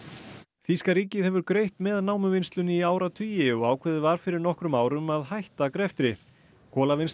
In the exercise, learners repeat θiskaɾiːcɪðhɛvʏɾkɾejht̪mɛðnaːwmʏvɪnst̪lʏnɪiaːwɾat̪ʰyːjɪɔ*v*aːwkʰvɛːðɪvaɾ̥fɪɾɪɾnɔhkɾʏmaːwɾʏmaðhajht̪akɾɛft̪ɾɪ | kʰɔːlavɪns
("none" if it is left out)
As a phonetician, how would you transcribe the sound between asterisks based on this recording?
ɣ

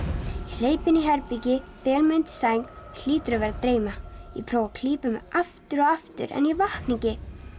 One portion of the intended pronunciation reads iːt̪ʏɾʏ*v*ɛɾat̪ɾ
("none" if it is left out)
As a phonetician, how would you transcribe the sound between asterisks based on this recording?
v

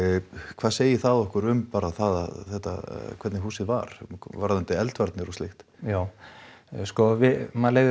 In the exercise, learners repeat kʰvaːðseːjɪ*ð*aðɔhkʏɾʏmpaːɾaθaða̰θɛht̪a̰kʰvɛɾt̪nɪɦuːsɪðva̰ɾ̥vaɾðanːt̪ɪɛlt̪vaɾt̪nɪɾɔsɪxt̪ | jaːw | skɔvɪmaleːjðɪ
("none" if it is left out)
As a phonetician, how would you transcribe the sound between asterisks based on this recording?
θ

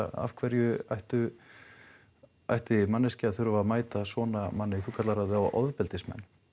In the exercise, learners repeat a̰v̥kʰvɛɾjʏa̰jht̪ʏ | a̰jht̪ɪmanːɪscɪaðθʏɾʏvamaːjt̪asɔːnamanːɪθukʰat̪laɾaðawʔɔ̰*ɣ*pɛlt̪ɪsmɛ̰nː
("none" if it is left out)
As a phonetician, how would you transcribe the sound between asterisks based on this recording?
ð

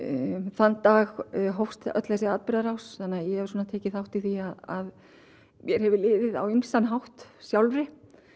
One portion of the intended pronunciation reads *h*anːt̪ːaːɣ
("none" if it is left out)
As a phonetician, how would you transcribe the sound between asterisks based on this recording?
θ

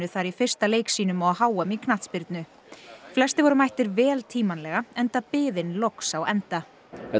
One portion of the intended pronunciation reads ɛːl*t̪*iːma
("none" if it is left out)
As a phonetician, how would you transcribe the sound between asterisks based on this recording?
t̪ʰ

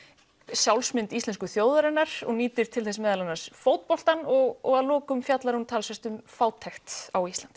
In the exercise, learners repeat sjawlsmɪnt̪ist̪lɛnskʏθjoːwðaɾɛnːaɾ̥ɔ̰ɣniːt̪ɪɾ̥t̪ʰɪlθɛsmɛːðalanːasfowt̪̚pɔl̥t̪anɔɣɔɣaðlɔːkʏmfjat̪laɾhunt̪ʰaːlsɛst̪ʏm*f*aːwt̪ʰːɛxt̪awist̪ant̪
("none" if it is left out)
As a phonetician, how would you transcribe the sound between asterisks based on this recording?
f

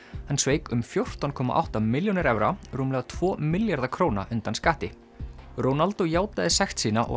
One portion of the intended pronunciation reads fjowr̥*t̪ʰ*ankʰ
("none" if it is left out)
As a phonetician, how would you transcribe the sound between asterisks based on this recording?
t̪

